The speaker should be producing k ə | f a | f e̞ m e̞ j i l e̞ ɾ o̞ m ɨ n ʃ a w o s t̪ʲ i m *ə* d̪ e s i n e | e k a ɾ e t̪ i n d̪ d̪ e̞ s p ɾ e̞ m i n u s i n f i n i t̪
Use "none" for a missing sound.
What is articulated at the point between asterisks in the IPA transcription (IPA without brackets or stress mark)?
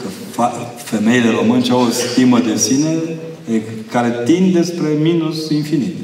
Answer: ə